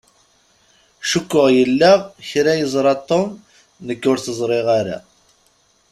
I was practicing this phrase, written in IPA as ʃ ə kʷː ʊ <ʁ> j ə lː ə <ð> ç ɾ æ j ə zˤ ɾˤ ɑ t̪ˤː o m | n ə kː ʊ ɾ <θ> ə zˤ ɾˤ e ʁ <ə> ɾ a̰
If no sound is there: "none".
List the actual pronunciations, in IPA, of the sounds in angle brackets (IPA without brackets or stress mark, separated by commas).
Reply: ʁ, ʁ, θ, a